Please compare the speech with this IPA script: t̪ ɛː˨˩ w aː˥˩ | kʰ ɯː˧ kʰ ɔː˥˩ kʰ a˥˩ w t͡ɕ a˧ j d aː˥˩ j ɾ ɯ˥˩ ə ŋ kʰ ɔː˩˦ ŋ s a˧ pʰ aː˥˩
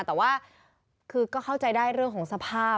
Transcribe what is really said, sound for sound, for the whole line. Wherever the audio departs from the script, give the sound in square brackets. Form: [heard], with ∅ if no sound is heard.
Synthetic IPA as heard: t̪ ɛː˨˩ w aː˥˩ | kʰ ɯː˧ [k] ɔː˥˩ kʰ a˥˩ w t͡ɕ a˧ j d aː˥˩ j ɾ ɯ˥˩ ə ŋ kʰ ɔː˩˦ ŋ s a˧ pʰ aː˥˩